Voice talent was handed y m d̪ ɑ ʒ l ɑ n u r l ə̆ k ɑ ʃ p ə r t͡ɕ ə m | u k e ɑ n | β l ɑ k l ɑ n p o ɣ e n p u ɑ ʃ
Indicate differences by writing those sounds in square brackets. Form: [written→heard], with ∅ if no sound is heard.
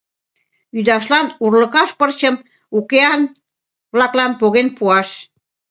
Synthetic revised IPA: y [m→∅] d̪ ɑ [ʒ→ʃ] l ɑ n u r l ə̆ k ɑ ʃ p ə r t͡ɕ ə m | u k e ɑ n | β l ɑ k l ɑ n p o ɣ e n p u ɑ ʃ